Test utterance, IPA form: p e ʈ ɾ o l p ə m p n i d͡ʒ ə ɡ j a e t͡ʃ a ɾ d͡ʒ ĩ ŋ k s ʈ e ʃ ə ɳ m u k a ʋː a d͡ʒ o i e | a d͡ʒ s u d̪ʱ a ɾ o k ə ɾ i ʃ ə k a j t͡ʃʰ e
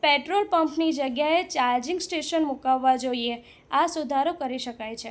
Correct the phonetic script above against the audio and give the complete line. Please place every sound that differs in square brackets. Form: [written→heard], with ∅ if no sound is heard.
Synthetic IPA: p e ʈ ɾ o l p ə m p n i d͡ʒ ə ɡ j a e t͡ʃ a ɾ d͡ʒ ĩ ŋ [k→ɡ] s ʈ e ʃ ə [ɳ→n] m u k a ʋː a d͡ʒ o i e | a [d͡ʒ→∅] s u d̪ʱ a ɾ o k ə ɾ i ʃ ə k a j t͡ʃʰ e